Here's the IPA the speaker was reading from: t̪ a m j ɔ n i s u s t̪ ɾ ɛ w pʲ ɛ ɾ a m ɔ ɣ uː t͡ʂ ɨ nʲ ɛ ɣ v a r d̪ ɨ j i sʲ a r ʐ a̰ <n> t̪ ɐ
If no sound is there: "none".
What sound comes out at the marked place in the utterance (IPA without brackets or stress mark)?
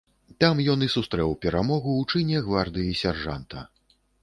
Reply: n